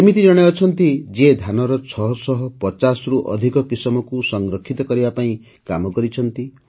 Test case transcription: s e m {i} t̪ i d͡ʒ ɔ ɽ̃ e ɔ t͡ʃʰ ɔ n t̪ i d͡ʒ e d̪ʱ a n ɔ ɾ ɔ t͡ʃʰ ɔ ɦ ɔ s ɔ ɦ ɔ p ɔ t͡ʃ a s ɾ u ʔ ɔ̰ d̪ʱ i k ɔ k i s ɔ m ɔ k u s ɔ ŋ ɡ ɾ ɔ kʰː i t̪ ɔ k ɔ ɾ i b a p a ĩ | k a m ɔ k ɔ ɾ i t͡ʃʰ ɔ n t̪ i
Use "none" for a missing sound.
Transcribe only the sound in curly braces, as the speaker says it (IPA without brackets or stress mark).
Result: i